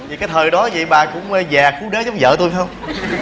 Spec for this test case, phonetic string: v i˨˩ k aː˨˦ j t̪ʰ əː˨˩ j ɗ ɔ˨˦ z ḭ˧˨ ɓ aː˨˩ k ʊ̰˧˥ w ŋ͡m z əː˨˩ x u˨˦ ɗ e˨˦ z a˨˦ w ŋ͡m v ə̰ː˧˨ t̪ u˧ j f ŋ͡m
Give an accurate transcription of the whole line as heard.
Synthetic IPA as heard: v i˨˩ k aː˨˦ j t̪ʰ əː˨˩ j ɗ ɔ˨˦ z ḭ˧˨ ɓ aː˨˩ k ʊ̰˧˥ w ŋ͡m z aː˨˩ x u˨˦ ɗ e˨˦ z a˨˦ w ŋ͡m z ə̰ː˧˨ t̪ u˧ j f ŋ͡m